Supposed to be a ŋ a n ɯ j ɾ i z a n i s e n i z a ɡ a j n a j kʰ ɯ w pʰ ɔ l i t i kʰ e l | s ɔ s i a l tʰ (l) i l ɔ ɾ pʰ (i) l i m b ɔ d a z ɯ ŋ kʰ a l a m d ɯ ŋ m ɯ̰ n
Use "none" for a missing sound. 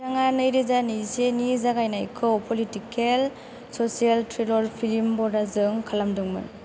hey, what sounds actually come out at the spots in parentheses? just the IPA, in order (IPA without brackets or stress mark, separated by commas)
ɾ, i